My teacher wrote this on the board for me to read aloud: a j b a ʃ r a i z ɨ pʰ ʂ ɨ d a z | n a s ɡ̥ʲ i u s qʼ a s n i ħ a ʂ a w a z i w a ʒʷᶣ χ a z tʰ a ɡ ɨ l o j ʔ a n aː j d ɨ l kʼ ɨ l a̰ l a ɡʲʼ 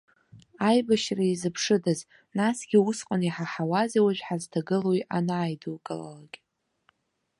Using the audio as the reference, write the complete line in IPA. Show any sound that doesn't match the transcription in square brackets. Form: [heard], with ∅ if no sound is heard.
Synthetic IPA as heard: a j b a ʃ r a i z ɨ pʰ ʂ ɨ d a z | n a s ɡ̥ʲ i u s qʼ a [∅] n i ħ a [ħ] a w a z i w a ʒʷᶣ [ħ] a z tʰ a ɡ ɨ l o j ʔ a n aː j d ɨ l kʼ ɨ l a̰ l a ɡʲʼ